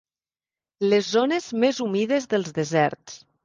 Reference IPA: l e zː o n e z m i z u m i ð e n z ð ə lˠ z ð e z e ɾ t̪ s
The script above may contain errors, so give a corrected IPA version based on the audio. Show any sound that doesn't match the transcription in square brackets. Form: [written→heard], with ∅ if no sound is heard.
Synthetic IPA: l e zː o n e z m [i→e] z u m i ð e [n→∅] z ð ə lˠ z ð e z [e→ɛ] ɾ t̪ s